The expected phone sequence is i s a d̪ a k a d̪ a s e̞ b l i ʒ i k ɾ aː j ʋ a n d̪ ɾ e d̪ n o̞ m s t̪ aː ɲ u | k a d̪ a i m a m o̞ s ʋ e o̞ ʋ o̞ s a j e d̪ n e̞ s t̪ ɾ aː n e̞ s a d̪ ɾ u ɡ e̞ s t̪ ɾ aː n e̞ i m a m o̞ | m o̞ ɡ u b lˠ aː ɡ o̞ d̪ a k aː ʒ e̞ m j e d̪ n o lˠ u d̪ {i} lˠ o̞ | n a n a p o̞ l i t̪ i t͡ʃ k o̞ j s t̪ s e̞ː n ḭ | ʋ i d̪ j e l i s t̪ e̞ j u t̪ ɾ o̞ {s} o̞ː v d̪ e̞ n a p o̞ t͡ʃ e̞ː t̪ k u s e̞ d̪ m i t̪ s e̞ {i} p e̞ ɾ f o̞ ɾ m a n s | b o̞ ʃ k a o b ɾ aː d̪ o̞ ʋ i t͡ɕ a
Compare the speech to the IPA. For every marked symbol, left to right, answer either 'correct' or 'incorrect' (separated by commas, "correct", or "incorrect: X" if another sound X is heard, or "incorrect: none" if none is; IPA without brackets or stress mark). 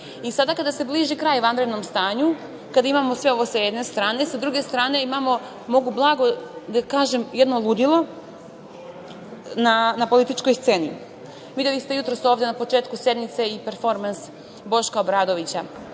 correct, correct, correct